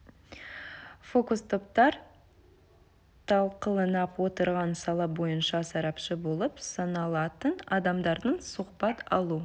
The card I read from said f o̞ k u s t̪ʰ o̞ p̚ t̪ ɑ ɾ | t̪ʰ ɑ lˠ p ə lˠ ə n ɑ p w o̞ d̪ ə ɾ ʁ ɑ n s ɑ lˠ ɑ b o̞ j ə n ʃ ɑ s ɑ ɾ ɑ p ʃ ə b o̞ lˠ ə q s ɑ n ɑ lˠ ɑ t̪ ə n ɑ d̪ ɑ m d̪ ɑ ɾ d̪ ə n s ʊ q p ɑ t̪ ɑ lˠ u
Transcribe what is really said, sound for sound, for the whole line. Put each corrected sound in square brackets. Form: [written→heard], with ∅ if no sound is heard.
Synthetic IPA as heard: f o̞ k u s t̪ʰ o̞ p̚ t̪ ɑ ɾ | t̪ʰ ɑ lˠ [p→q] ə lˠ ə n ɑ p w o̞ [d̪→t̪] ə ɾ ʁ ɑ n s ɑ lˠ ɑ b o̞ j ə n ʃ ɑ s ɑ ɾ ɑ p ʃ ə b o̞ lˠ ə [q→p] s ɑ n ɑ lˠ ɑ t̪ ə n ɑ d̪ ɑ m d̪ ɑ ɾ d̪ ə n s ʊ q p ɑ t̪ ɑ lˠ u